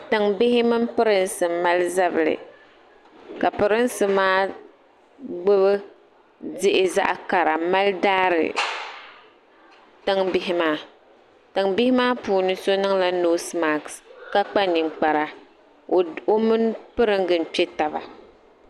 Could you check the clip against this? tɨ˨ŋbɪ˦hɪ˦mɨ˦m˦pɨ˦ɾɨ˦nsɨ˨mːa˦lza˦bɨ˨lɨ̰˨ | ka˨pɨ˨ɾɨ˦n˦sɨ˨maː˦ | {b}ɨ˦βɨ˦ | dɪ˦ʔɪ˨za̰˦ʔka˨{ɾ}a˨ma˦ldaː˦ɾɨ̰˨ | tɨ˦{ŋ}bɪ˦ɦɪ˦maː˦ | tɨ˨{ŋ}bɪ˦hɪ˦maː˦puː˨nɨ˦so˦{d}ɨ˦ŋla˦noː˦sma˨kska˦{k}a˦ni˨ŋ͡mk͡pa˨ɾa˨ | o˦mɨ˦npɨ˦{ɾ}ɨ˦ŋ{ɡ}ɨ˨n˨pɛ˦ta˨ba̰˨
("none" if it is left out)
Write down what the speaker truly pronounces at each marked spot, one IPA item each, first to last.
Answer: ɡ͡b, ɾ, ŋ, ŋ, n, k͡p, ɾ, ɡ

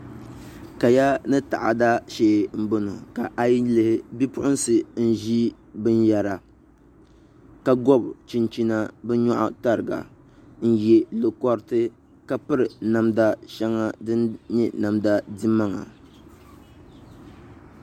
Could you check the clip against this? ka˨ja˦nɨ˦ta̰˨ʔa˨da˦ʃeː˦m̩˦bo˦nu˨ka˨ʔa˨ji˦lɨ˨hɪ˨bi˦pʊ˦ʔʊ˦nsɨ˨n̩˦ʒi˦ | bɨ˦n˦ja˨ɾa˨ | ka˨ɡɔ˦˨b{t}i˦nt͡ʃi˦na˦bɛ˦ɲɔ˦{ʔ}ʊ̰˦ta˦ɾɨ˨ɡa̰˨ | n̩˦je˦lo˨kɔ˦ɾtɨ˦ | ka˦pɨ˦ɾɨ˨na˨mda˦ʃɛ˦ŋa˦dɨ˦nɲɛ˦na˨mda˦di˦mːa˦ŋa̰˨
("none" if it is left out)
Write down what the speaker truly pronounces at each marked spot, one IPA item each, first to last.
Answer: t͡ʃ, ʔ

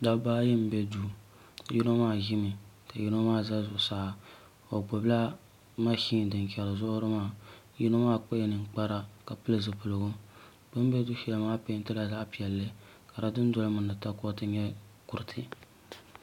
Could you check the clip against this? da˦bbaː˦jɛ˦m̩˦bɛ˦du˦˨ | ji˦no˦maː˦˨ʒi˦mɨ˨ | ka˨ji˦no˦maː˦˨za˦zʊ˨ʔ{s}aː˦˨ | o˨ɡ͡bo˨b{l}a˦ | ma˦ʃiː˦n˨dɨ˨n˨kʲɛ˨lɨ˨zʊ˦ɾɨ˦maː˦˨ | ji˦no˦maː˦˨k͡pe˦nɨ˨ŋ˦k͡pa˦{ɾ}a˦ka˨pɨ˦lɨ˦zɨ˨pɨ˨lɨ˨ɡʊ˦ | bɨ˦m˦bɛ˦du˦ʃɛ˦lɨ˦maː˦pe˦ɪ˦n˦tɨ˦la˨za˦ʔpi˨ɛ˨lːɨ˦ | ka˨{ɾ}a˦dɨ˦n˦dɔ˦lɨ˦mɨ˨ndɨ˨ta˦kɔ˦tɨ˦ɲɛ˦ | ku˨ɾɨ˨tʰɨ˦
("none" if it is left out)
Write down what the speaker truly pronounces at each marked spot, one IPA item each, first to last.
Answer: s, l, ɾ, ɾ

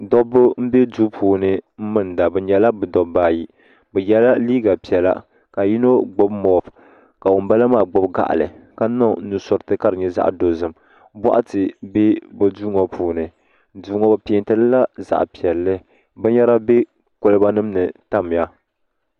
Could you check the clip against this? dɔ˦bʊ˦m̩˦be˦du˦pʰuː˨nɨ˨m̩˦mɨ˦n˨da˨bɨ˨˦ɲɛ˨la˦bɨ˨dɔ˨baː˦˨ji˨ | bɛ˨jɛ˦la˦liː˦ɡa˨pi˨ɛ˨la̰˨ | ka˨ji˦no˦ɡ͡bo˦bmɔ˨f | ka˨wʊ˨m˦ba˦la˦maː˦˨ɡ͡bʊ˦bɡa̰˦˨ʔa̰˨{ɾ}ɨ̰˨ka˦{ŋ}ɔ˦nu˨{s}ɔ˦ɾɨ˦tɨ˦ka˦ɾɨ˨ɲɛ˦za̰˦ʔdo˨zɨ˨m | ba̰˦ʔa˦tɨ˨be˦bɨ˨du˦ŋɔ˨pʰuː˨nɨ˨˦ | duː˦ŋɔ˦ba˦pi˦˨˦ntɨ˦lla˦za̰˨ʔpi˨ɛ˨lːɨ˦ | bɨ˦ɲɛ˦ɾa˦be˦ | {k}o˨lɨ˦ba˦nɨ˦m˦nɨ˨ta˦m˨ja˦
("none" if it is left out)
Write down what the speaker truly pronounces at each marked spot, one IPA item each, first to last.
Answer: l, n, s, k

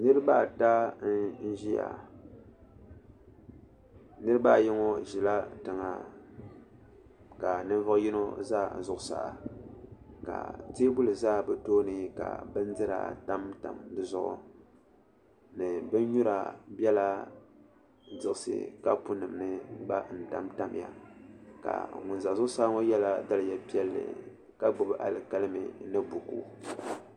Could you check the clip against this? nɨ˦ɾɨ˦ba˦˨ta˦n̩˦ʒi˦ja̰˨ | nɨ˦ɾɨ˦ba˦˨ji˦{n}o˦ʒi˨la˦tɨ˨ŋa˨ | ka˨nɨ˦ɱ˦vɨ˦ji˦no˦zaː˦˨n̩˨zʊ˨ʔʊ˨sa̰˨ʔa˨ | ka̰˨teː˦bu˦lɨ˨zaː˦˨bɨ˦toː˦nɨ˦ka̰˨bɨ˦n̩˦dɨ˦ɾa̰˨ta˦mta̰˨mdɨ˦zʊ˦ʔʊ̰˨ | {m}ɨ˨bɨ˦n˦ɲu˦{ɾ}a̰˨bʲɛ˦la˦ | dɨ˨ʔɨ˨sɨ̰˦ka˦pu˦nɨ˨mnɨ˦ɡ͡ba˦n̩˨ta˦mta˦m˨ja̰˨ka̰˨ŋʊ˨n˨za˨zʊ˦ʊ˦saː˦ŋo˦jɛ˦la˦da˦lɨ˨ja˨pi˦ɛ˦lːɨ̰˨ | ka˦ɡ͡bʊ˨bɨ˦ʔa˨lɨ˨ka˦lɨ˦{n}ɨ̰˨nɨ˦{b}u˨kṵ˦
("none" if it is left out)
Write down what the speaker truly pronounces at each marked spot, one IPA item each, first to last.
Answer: ŋ, n, ɾ, m, b

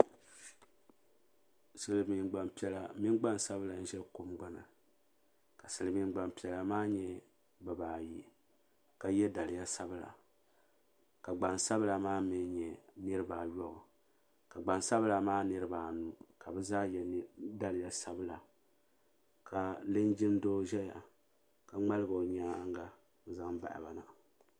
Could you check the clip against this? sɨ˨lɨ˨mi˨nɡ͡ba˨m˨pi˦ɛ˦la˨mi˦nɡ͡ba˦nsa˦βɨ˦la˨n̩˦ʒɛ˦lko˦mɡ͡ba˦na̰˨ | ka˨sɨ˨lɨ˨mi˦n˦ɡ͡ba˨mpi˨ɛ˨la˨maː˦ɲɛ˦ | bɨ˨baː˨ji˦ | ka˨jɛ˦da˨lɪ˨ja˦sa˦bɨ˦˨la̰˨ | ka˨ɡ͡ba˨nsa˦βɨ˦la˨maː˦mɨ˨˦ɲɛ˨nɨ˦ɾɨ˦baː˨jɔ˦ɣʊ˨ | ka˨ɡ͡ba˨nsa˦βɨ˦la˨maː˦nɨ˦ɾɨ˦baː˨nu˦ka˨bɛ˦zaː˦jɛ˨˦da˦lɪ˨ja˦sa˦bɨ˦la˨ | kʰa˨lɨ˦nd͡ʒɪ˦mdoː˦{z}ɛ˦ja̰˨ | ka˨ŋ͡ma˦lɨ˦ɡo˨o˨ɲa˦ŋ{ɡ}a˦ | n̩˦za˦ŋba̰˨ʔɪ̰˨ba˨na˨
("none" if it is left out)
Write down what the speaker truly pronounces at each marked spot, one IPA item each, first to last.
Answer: ʒ, ɡ

